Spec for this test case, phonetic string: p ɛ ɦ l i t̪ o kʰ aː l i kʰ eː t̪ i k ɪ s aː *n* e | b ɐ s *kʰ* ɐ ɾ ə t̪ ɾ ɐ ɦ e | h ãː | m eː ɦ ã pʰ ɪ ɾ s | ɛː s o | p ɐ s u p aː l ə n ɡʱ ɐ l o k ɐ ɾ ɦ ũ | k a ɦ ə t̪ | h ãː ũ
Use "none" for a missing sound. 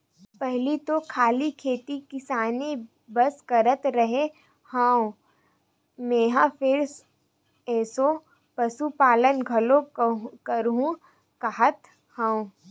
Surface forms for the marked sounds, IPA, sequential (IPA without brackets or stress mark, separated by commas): n, k